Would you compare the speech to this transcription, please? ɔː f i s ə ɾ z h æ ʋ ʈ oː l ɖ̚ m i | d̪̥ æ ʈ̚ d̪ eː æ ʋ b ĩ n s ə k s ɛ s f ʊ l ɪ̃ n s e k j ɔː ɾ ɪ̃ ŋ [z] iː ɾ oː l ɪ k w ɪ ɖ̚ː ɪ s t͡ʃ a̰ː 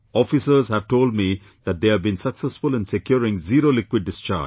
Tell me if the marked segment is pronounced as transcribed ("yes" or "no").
yes